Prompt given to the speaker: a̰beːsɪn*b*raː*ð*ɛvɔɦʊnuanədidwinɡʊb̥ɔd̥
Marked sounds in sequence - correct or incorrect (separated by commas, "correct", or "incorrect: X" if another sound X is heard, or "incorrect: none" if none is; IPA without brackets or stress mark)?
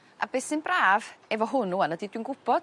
correct, incorrect: v